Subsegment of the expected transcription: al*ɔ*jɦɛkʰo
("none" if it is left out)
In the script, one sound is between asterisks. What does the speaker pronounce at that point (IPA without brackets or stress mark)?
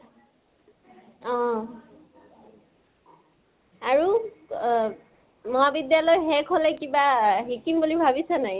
ɔ